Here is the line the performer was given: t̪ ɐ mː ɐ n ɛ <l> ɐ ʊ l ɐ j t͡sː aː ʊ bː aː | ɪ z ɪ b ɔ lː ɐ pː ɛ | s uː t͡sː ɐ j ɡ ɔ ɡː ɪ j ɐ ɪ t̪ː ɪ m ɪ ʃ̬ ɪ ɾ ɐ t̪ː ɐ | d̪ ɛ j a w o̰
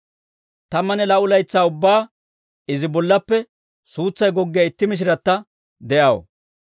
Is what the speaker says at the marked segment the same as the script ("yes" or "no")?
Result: yes